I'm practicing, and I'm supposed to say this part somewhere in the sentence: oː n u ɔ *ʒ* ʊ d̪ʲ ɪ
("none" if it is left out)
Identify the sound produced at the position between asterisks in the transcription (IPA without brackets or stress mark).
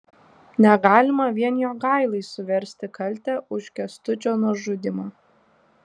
ʒ